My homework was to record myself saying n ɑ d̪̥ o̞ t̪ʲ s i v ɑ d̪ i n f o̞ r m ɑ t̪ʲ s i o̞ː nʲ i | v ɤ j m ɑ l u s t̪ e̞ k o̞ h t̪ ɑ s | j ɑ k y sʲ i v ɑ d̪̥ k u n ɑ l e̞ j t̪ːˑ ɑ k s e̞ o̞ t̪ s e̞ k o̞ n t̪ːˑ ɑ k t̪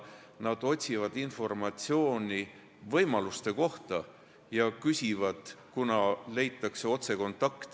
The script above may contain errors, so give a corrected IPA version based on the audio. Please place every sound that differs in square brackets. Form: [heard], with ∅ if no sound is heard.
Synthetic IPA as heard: n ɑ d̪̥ o̞ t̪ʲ s i v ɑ d̪ i n f o̞ r m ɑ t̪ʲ s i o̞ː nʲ i | v ɤ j m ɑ l u s t̪ e̞ k o̞ h t̪ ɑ [∅] | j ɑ k y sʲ i v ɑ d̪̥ k u n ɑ l e̞ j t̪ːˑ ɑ k s e̞ o̞ t̪ s e̞ k o̞ n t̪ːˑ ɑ k t̪